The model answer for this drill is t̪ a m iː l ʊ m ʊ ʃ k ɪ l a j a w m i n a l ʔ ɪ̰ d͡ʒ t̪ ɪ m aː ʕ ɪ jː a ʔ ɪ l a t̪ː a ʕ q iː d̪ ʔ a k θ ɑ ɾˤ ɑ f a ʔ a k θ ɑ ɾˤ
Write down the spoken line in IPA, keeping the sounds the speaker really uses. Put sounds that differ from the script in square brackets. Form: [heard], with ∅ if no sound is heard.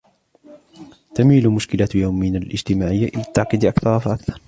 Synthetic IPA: t̪ a m iː l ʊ m ʊ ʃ k ɪ l a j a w m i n a l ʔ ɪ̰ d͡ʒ t̪ ɪ m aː ʕ ɪ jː a ʔ ɪ l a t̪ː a ʕ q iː d̪ ʔ a k θ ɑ ɾˤ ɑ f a ʔ a k θ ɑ ɾˤ

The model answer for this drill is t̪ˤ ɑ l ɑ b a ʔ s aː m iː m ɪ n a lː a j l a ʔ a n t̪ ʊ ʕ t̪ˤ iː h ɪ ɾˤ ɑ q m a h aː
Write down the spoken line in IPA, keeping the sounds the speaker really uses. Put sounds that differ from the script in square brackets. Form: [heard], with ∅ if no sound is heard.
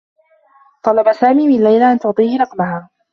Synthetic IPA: t̪ˤ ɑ l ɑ b a [∅] s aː m iː m ɪ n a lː a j l a ʔ a n t̪ ʊ ʕ t̪ˤ iː h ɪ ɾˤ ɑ q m a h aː

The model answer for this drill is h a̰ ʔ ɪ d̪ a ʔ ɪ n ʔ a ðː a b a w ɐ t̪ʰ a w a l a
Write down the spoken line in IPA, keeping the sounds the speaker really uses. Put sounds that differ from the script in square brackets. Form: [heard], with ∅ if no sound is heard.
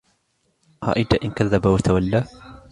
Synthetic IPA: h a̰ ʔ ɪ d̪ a ʔ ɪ n [k] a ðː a b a w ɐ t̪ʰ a w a [lː] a

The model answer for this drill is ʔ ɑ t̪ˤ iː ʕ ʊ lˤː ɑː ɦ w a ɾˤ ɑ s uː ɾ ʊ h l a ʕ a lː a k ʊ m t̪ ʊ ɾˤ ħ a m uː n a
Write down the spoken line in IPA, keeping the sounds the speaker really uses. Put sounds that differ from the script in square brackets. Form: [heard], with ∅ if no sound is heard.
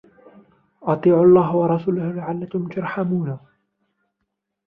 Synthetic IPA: ʔ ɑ t̪ˤ iː ʕ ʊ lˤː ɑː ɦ w [ɑ] ɾˤ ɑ s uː [l] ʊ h l a ʕ a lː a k ʊ m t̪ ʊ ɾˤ ħ a m uː n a

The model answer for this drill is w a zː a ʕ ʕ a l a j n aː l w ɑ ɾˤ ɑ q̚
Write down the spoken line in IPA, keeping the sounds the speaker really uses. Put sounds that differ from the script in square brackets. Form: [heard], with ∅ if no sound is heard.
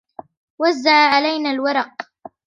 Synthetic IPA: w a zː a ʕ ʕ a l a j n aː l w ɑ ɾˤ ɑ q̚

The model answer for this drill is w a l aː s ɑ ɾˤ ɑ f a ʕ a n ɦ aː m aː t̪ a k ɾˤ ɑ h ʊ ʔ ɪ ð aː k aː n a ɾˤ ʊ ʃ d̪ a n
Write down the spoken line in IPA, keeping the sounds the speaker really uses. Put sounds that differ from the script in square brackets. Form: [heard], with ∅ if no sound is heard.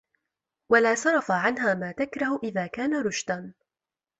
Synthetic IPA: w a l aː s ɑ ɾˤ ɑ f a ʕ a n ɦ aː m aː t̪ a k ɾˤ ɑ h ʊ ʔ ɪ ð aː k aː n a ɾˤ ʊ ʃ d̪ a n

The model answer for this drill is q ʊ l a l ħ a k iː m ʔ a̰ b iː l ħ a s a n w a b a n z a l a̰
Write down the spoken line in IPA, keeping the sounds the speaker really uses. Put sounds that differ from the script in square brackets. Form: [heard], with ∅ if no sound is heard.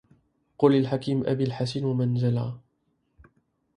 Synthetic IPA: q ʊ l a l ħ a k iː m ʔ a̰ b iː l ħ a s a n w a [m] a n z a l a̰

